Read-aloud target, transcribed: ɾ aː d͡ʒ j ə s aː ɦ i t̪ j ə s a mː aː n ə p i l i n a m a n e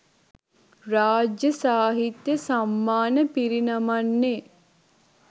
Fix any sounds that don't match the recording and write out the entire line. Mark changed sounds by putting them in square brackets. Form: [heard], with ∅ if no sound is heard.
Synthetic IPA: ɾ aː d͡ʒ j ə s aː ɦ i t̪ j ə s a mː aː n ə p i [ɾ] i n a m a [nː] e